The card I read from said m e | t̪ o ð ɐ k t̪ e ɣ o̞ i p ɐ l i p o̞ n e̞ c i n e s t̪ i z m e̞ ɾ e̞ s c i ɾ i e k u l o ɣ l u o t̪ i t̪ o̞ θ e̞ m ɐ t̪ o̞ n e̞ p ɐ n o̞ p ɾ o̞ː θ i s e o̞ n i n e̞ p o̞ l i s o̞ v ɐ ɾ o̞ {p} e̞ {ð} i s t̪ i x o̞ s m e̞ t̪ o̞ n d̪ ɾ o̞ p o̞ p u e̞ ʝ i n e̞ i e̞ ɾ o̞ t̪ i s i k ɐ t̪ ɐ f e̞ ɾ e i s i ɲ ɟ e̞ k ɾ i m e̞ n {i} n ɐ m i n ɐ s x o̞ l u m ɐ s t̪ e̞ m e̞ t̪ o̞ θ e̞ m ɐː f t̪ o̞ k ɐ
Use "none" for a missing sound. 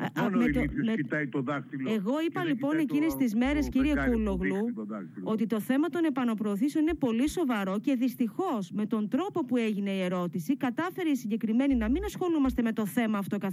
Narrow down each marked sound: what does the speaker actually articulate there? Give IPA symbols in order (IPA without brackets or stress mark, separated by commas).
c, ð, i